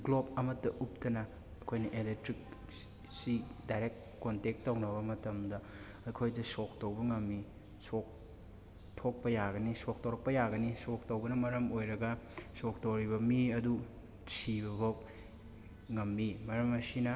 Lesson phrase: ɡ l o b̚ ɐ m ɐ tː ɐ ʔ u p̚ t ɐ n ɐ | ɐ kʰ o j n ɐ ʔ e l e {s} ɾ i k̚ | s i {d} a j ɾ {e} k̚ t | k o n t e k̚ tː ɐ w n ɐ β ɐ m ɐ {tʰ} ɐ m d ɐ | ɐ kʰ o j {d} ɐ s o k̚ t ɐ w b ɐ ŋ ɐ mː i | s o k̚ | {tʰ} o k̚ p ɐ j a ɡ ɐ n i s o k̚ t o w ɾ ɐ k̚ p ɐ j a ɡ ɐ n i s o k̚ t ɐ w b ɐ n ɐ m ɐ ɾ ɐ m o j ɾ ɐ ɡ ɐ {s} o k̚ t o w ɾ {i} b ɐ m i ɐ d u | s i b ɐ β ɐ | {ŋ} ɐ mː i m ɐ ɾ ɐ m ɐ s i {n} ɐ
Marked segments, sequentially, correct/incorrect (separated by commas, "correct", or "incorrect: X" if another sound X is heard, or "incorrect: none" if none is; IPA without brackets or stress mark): incorrect: t, correct, correct, incorrect: t, correct, correct, correct, correct, correct, correct